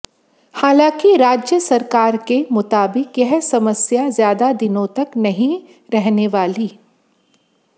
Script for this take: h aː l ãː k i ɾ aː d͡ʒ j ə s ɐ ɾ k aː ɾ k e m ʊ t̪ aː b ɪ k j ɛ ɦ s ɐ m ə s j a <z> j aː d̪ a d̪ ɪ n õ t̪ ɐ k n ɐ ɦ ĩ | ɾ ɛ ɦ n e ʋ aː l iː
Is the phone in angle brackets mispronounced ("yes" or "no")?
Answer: no